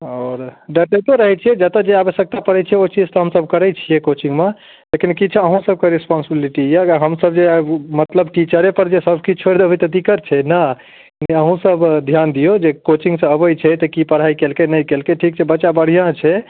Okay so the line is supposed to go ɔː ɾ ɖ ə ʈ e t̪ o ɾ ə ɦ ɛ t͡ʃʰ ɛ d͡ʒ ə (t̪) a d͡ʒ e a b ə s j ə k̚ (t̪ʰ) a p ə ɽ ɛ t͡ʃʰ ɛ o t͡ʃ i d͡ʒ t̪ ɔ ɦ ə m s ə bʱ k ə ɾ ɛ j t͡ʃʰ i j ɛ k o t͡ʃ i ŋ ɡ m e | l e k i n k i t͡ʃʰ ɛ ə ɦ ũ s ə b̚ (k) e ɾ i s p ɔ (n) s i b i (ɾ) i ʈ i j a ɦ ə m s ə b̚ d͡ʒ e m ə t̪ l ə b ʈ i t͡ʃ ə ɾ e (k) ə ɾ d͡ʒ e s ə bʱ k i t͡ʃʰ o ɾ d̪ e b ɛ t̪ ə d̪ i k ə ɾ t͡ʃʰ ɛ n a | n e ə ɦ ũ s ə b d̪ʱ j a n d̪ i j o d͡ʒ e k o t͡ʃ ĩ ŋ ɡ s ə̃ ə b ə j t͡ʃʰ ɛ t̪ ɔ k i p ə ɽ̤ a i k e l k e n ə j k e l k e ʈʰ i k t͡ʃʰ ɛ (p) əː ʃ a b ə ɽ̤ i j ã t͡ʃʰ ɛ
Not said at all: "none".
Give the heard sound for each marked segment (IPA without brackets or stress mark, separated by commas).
t̪, t̪, k, n, l, p, b